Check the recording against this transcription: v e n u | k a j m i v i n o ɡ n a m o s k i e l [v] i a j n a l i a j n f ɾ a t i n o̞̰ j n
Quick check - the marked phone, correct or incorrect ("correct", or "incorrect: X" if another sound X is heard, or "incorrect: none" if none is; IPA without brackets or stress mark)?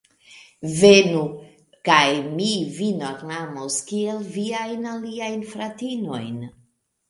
correct